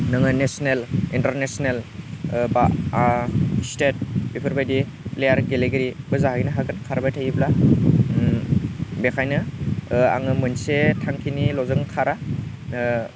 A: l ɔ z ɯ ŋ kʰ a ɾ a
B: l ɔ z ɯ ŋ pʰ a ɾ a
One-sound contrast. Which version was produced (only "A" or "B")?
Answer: A